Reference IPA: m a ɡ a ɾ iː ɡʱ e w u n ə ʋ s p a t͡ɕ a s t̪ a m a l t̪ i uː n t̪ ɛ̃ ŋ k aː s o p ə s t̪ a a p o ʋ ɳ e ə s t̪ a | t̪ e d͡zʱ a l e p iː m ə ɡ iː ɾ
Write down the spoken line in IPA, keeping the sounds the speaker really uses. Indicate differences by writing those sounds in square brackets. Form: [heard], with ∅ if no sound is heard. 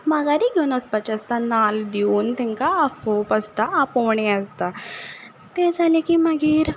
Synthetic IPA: m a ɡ a ɾ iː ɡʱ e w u n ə [∅] s p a t͡ɕ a s t̪ a [n] a l [d̪] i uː n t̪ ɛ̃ ŋ k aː [f] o p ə s t̪ a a p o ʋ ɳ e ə s t̪ a | t̪ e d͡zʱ a l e [k] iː m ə ɡ iː ɾ